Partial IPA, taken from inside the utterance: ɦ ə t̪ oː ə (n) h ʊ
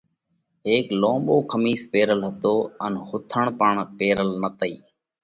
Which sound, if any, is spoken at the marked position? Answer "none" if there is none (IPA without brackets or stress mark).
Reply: n